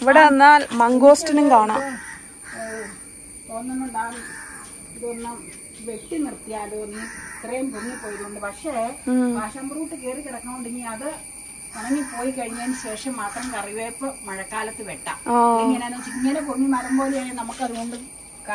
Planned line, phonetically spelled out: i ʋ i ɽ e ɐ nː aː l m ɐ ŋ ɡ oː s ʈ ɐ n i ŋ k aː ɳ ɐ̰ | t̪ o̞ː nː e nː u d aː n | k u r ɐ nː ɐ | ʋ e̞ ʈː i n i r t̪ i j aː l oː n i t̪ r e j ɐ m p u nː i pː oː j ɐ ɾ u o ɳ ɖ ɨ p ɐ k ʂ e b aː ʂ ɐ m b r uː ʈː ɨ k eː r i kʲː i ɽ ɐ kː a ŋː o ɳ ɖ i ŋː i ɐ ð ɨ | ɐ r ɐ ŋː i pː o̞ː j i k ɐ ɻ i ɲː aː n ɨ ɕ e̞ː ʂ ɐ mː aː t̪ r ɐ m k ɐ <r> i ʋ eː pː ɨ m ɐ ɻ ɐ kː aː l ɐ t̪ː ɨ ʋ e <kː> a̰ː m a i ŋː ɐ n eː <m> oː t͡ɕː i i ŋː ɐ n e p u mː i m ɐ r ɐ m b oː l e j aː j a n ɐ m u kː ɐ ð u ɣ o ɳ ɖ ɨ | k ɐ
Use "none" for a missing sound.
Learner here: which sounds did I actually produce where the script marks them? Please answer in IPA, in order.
r, ʈː, n

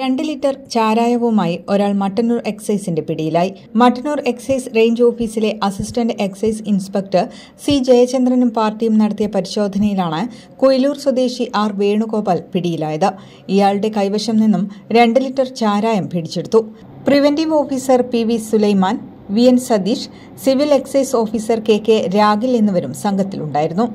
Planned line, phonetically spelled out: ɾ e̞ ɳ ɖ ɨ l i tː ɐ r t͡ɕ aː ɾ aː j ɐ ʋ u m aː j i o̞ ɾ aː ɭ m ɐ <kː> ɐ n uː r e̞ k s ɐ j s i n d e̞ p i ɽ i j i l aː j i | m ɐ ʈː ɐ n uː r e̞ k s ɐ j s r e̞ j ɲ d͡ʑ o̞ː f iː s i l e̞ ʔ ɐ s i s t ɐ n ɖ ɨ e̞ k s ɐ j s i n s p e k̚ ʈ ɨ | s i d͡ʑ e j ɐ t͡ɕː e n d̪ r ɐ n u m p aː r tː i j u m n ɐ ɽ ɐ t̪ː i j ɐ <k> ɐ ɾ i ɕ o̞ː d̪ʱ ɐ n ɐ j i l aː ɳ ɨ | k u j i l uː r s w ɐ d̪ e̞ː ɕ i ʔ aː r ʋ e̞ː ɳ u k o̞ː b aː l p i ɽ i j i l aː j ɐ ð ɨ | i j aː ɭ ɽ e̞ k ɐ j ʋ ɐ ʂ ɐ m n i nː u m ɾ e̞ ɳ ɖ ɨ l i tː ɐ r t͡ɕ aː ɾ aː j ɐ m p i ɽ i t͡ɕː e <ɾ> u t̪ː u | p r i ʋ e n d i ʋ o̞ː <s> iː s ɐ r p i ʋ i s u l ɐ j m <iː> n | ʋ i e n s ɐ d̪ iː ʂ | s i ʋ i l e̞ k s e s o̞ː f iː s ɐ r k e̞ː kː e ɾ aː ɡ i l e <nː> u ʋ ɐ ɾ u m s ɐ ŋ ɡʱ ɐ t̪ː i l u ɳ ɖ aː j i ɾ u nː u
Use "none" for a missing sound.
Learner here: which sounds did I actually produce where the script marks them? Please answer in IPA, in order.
ʈː, p, ɽ, f, aː, nː

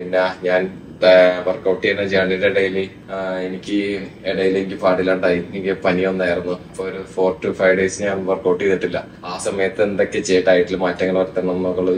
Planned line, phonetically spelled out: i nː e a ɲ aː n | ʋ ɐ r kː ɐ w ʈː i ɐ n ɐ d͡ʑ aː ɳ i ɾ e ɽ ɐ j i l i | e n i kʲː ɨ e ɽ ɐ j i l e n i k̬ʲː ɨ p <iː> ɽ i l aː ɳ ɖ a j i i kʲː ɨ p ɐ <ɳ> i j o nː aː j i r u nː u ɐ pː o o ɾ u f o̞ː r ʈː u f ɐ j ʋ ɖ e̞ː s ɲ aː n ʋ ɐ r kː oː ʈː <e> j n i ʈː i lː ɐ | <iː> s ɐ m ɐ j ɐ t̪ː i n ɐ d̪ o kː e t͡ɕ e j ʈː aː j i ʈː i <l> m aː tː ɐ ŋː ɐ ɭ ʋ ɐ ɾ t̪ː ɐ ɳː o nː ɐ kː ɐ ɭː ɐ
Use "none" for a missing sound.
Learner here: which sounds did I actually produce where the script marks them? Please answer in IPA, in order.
aː, n, i, aː, l

